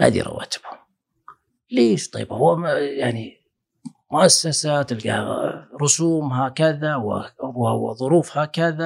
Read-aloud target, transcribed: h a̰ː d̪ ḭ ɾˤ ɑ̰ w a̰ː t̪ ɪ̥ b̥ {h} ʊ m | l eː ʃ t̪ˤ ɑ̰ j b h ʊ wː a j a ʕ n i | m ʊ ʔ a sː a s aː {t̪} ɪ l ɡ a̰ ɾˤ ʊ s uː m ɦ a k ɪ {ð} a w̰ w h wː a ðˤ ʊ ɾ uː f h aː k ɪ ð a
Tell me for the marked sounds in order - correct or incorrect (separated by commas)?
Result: correct, correct, correct